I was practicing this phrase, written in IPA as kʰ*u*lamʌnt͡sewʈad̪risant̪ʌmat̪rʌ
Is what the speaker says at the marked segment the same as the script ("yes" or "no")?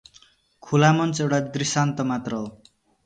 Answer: yes